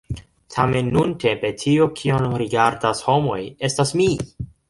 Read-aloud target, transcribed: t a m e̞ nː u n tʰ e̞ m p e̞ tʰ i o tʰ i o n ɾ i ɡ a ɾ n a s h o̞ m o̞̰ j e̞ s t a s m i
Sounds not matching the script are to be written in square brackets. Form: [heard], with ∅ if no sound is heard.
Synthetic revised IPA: [tʰ] a m e̞ nː u n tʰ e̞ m p e̞ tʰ i o [kʰ] i o n ɾ i ɡ a ɾ [d] a s h o̞ m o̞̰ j e̞ s t a s m i